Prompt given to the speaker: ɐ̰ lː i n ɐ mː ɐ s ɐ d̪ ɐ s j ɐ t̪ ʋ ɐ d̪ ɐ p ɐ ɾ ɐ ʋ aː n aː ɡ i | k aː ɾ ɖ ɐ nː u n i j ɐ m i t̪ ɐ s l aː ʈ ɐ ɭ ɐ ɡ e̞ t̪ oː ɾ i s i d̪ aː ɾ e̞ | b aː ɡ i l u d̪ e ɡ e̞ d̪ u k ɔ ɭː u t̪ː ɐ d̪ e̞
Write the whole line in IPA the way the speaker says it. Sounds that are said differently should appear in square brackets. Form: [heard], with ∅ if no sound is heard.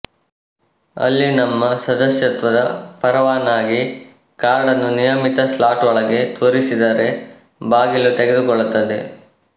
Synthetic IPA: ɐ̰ lː i n ɐ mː ɐ s ɐ d̪ ɐ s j ɐ t̪ ʋ ɐ d̪ ɐ p ɐ ɾ ɐ ʋ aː n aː ɡ i | k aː ɾ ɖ ɐ nː u n i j ɐ m i t̪ ɐ s l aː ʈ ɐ ɭ ɐ ɡ e̞ t̪ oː ɾ i s i d̪ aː ɾ e̞ | b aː ɡ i l u [t̪] e ɡ e̞ d̪ u k ɔ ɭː u t̪ː ɐ d̪ e̞